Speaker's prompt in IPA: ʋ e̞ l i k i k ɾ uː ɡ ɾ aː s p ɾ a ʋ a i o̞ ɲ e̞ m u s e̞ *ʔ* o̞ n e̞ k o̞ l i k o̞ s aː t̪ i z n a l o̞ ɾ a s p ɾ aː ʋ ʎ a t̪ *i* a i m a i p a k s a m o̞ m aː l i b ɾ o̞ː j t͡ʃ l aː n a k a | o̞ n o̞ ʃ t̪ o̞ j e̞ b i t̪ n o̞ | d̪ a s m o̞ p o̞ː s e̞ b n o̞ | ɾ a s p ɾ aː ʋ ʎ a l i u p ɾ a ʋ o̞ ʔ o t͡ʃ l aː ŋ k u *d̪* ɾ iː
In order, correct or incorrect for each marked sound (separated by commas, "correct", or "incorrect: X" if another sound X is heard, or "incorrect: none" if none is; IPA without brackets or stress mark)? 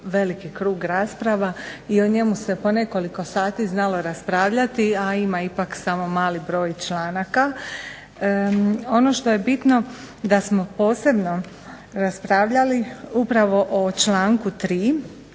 incorrect: p, correct, incorrect: t̪